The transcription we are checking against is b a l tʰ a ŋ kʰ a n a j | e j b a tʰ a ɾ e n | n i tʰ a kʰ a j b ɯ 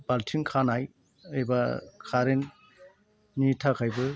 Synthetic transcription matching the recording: b a l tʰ i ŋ kʰ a n a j | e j b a kʰ a ɾ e n | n i tʰ a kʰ a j b ɯ